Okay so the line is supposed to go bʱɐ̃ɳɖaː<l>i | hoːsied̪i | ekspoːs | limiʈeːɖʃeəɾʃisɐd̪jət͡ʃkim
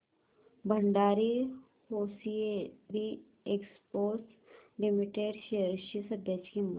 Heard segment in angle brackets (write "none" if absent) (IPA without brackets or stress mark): ɾ